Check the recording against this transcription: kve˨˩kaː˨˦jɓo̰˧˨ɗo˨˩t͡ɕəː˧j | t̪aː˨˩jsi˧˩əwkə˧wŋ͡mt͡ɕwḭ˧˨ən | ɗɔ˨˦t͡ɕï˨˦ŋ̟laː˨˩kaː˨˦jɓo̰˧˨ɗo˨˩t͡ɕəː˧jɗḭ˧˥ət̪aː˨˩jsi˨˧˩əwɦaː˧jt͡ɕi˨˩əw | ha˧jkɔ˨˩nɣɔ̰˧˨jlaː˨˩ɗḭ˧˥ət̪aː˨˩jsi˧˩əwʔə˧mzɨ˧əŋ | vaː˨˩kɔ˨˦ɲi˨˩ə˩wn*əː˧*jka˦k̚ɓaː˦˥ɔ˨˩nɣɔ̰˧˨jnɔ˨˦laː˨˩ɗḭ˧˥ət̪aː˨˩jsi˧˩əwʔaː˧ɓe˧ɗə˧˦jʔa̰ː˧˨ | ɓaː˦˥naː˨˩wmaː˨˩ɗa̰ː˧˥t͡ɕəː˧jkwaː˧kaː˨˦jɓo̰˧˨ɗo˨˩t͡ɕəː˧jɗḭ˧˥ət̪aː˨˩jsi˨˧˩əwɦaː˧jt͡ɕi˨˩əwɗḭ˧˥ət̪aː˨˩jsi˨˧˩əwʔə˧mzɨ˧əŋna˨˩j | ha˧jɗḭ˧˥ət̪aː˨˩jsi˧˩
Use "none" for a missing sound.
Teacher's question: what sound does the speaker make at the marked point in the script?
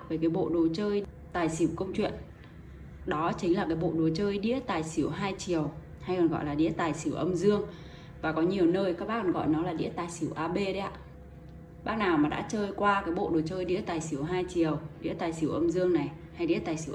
əː˧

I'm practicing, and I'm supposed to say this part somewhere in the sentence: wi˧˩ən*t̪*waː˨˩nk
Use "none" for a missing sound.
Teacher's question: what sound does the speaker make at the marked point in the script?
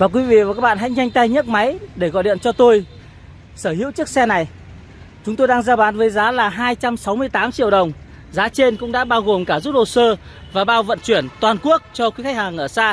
t̪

